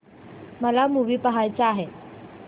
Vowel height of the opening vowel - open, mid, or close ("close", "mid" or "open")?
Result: mid